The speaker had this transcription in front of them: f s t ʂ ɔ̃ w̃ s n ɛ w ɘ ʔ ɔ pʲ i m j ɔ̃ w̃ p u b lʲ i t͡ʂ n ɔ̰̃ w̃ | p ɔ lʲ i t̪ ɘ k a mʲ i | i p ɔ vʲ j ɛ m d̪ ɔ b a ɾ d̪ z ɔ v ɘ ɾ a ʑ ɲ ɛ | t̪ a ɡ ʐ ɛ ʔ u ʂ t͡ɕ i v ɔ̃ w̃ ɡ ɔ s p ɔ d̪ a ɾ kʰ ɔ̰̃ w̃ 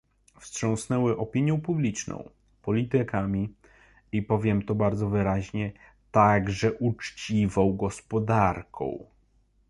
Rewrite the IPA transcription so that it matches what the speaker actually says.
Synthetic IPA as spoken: f s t ʂ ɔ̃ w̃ s n ɛ w ɘ ʔ ɔ pʲ i ɲ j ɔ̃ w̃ p u b lʲ i t͡ʂ n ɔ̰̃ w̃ | p ɔ lʲ i t̪ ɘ k a mʲ i | i p ɔ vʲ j ɛ m t̪ ɔ b a ɾ d̪ z ɔ v ɘ ɾ a ʑ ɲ ɛ | t̪ a ɡ ʐ ɛ ʔ u t͡ʂ t͡ɕ i v ɔ̃ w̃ ɡ ɔ s p ɔ d̪ a ɾ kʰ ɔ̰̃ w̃

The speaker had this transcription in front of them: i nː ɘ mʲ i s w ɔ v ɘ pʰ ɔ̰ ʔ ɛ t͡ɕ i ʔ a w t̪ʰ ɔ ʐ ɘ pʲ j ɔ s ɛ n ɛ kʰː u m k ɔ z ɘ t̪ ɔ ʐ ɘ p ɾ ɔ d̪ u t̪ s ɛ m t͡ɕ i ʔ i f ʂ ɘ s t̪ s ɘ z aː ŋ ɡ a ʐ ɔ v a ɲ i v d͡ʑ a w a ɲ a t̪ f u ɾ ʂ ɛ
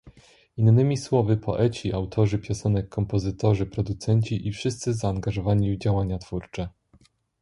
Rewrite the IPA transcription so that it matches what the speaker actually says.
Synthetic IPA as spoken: i nː ɘ mʲ i s w ɔ v ɘ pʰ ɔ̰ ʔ ɛ t͡ɕ i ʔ a w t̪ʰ ɔ ʐ ɘ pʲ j ɔ s ɛ n ɛ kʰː ɔ m p ɔ z ɘ t̪ ɔ ʐ ɘ p ɾ ɔ d̪ u t̪ s ɛ ɲ t͡ɕ i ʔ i f ʂ ɘ s t̪ s ɘ z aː ŋ ɡ a ʐ ɔ v a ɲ i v d͡ʑ a w a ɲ a t̪ f u ɾ t͡ʂ ɛ

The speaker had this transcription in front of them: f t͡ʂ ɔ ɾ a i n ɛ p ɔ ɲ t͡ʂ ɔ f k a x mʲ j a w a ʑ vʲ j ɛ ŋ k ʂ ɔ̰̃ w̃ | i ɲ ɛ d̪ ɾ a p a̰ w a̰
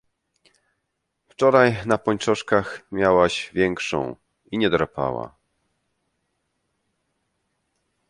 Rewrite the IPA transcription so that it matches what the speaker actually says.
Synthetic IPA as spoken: f t͡ʂ ɔ ɾ a j n a p ɔ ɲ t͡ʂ ɔ ʂ k a x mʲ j a w a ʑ vʲ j ɛ ŋ k ʂ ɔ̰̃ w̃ | i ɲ ɛ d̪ ɾ a p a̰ w a̰

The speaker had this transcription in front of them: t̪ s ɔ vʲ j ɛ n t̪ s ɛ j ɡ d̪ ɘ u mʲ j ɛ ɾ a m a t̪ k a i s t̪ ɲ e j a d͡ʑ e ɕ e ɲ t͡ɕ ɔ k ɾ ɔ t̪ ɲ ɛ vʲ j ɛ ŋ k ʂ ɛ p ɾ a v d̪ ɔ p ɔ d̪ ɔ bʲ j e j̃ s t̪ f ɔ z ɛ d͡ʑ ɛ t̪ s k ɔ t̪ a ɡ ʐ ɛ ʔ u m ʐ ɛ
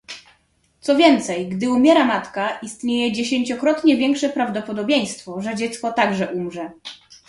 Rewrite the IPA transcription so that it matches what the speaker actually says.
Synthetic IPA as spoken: t̪ s ɔ vʲ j ɛ n t̪ s ɛ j ɡ d̪ ɘ u mʲ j ɛ ɾ a m a t̪ k a i s t̪ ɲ e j ɛ d͡ʑ e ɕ e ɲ t͡ɕ ɔ k ɾ ɔ t̪ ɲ ɛ vʲ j ɛ ŋ k ʂ ɛ p ɾ a v d̪ ɔ p ɔ d̪ ɔ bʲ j e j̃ s t̪ f ɔ ʐ ɛ d͡ʑ ɛ t̪ s k ɔ t̪ a ɡ ʐ ɛ ʔ u m ʐ ɛ

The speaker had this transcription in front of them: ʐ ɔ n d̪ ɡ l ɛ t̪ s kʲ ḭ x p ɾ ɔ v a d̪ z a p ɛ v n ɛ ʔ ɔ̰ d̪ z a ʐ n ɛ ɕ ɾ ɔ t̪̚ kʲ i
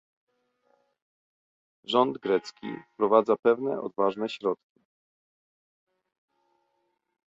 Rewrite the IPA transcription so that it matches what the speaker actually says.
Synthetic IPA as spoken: ʐ ɔ n d̪ ɡ ɾ ɛ t̪ s kʲ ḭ f p ɾ ɔ v a d̪ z a p ɛ v n ɛ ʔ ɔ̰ d̪ v a ʐ n ɛ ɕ ɾ ɔ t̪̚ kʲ i

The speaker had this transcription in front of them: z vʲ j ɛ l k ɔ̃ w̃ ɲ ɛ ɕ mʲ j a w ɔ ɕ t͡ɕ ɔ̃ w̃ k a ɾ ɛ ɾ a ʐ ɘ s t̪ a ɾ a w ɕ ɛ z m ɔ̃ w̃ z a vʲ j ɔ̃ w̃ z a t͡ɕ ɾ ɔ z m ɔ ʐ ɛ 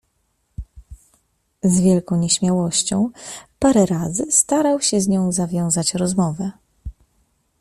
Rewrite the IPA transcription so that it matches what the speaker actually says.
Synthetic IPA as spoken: z vʲ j ɛ l k ɔ̃ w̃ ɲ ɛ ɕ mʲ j a w ɔ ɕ t͡ɕ ɔ̃ w̃ p a ɾ ɛ ɾ a z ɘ s t̪ a ɾ a w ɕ ɛ z ɲ ɔ̃ w̃ z a vʲ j ɔ̃ w̃ z a t͡ɕ ɾ ɔ z m ɔ v ɛ

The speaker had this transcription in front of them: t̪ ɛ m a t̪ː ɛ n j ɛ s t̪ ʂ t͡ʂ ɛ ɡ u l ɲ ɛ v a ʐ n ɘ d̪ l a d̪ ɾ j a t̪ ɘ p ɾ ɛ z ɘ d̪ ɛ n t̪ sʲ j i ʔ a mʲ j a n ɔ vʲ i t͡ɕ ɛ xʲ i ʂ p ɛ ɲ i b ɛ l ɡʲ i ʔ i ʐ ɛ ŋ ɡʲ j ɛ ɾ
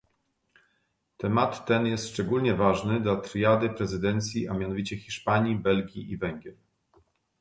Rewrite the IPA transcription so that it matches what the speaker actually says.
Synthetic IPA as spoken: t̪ ɛ m a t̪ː ɛ n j ɛ s t̪ ʂ t͡ʂ ɛ ɡ u l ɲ ɛ v a ʐ n ɘ d̪ l a t̪ ɾ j a d̪ ɘ p ɾ ɛ z ɘ d̪ ɛ n t̪ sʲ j i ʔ a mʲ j a n ɔ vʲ i t͡ɕ ɛ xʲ i ʂ p a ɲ i b ɛ l ɡʲ i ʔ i v ɛ ŋ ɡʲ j ɛ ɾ

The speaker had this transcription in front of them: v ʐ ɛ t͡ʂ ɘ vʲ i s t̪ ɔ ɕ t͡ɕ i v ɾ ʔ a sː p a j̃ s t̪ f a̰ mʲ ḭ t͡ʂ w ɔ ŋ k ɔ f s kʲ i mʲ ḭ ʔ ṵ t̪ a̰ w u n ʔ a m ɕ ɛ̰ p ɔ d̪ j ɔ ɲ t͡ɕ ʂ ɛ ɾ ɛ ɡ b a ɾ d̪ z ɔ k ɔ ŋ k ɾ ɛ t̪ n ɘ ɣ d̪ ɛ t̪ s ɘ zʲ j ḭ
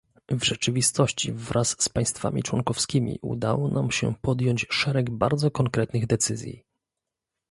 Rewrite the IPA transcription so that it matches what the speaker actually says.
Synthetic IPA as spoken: v ʐ ɛ t͡ʂ ɘ vʲ i s t̪ ɔ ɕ t͡ɕ i v ɾ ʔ a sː p a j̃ s t̪ f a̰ mʲ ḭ t͡ʂ w ɔ ŋ k ɔ f s kʲ i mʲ ḭ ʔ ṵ d̪ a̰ w ɔ n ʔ a m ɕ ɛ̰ p ɔ d̪ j ɔ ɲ t͡ɕ ʂ ɛ ɾ ɛ ɡ b a ɾ d̪ z ɔ k ɔ ŋ k ɾ ɛ t̪ n ɘ ɣ d̪ ɛ t̪ s ɘ zʲ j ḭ

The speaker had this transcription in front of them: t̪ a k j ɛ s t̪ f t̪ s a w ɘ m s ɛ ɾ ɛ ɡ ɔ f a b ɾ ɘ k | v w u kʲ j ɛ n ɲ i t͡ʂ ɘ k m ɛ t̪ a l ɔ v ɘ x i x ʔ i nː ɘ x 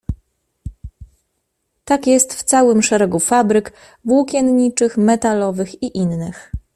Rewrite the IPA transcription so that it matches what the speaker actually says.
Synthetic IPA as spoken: t̪ a k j ɛ s t̪ f t̪ s a w ɘ m ʂ ɛ ɾ ɛ ɡ u f a b ɾ ɘ k | v w u kʲ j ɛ n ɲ i t͡ʂ ɘ x m ɛ t̪ a l ɔ v ɘ x i ʔ i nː ɘ x

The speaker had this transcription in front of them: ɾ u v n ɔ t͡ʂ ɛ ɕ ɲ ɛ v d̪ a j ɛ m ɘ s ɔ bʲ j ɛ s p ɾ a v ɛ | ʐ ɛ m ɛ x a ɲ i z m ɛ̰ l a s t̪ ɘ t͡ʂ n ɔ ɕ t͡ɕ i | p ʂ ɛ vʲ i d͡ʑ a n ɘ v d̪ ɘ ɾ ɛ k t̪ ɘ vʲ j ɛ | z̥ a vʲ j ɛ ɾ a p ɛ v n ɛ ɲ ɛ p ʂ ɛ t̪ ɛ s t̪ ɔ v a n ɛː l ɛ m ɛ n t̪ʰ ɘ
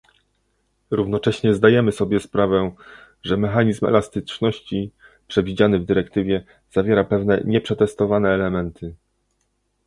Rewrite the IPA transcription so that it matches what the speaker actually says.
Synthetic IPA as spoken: ɾ u v n ɔ t͡ʂ ɛ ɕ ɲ ɛ z d̪ a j ɛ m ɘ s ɔ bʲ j ɛ s p ɾ a v ɛ | ʐ ɛ m ɛ x a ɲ i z m ɛ̰ l a s t̪ ɘ t͡ʂ n ɔ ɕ t͡ɕ i | p ʂ ɛ vʲ i d͡ʑ a n ɘ v d̪ ɘ ɾ ɛ k t̪ ɘ vʲ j ɛ | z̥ a vʲ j ɛ ɾ a p ɛ v n ɛ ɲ ɛ p ʂ ɛ t̪ ɛ s t̪ ɔ v a n ɛː l ɛ m ɛ n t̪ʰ ɘ

